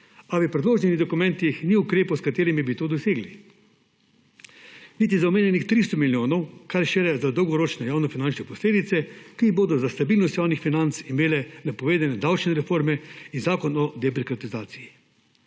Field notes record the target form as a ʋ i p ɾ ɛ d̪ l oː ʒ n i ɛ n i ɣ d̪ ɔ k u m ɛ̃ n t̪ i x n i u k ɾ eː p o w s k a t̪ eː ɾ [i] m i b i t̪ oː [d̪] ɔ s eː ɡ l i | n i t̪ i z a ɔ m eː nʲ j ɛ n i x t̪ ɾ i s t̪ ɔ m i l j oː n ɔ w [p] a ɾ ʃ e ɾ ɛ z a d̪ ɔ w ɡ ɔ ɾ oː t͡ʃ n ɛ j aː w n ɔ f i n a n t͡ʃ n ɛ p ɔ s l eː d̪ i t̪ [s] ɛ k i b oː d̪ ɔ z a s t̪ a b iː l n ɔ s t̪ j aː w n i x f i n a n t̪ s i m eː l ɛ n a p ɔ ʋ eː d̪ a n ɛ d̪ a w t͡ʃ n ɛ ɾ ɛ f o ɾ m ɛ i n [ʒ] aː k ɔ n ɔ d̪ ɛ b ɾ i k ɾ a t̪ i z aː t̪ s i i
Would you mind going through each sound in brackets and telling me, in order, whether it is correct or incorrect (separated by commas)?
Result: correct, correct, incorrect, correct, incorrect